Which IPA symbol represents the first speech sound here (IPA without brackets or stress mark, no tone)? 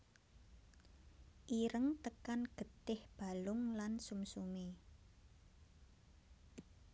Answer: ʔ